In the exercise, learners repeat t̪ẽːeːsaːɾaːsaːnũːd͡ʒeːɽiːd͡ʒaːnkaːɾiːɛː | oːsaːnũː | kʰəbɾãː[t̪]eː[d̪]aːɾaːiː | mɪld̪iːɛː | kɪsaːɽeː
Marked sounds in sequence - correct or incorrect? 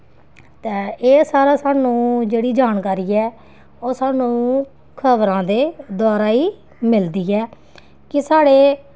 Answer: incorrect: d̪, correct

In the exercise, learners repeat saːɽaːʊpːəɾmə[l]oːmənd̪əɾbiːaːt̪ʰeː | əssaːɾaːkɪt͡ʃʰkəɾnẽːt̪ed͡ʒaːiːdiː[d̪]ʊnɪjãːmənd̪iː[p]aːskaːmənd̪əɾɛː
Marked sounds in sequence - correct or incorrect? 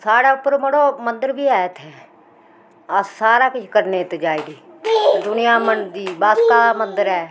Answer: incorrect: ɽ, correct, incorrect: b

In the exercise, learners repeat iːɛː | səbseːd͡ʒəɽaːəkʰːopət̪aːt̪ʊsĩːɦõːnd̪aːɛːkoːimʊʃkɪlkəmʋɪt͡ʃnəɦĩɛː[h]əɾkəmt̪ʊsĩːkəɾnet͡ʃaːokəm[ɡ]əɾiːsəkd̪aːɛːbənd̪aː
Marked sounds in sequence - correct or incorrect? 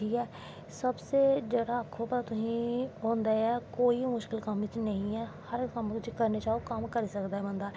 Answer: correct, incorrect: k

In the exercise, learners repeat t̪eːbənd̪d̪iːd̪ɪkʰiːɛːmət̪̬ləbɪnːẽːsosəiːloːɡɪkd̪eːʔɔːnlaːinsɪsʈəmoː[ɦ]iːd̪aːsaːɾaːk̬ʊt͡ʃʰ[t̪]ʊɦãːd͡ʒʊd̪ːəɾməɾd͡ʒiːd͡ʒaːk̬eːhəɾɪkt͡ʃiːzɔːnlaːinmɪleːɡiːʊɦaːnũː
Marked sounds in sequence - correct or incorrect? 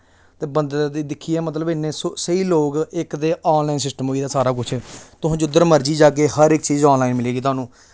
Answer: incorrect: none, correct

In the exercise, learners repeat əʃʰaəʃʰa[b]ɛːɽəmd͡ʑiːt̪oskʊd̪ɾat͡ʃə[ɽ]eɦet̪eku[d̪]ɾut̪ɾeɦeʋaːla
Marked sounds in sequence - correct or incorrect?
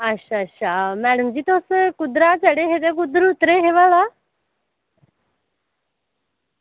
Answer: incorrect: m, correct, correct

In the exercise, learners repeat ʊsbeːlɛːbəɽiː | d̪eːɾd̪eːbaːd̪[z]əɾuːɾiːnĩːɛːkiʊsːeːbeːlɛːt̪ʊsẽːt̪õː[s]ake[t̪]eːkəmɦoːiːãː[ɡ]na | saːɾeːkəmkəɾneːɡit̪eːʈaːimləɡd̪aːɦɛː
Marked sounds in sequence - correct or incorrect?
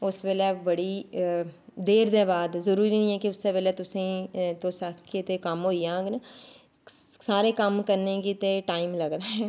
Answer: correct, correct, correct, correct

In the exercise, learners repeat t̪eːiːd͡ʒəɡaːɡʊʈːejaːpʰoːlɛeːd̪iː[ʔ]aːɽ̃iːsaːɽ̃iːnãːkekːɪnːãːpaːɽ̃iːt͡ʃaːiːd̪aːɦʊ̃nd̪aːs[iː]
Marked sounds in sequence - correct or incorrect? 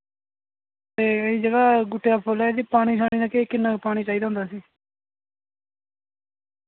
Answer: incorrect: p, correct

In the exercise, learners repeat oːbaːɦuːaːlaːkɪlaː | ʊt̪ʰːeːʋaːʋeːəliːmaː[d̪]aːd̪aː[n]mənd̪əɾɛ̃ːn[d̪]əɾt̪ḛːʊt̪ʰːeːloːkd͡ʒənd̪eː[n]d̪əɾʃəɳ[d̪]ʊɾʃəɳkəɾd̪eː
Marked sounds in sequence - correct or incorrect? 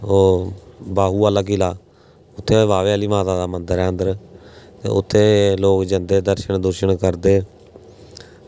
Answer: incorrect: t̪, incorrect: none, correct, incorrect: none, correct

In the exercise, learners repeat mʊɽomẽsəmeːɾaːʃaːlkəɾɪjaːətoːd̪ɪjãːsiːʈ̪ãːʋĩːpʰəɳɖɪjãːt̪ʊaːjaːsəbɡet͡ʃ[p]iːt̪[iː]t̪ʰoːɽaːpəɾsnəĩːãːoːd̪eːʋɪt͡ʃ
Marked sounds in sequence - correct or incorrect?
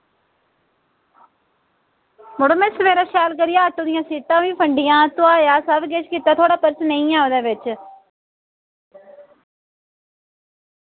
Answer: incorrect: k, incorrect: aː

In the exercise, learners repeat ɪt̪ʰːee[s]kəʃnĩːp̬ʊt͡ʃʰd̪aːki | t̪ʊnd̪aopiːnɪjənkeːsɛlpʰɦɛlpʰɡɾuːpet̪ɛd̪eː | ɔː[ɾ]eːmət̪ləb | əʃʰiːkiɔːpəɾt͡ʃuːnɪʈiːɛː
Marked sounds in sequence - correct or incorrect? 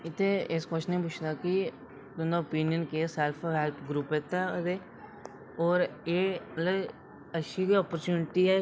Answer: correct, correct

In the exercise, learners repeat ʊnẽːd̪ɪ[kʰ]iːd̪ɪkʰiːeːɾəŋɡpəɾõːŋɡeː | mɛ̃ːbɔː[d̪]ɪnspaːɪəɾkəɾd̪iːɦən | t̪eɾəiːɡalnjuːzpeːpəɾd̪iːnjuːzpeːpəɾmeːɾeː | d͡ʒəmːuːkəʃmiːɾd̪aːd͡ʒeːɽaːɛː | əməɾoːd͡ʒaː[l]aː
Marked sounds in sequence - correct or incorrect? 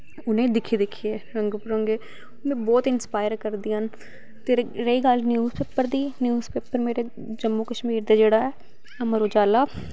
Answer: correct, incorrect: t̪, correct

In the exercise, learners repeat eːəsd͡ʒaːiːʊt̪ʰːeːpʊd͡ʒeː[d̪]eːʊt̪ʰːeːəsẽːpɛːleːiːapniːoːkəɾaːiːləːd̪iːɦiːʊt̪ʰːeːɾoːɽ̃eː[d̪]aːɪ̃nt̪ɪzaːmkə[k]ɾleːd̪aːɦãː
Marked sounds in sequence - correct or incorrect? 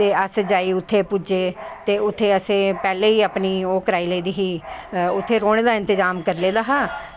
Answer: incorrect: t̪, correct, incorrect: none

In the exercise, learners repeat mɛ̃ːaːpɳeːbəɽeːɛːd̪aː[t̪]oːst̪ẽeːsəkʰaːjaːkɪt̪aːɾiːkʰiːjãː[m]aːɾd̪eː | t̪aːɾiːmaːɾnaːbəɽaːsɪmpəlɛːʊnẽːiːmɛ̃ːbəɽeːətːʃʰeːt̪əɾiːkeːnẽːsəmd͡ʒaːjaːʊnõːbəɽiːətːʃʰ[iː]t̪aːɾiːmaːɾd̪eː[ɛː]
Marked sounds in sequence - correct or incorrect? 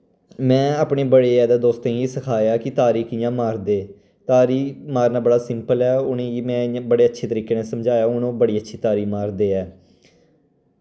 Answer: incorrect: d̪, correct, correct, correct

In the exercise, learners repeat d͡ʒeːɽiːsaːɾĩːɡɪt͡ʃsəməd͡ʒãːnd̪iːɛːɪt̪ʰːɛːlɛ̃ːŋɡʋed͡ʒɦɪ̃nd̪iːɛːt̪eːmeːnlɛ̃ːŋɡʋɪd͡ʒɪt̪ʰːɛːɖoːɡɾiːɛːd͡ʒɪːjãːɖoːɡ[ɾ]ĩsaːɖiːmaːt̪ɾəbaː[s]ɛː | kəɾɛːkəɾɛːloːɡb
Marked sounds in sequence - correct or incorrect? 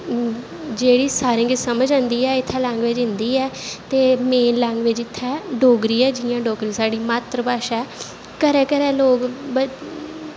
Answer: correct, incorrect: ʃ

